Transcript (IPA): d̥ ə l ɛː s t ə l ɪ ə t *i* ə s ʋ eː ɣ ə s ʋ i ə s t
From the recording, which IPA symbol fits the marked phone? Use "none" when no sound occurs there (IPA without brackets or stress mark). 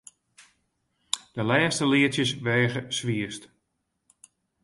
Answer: j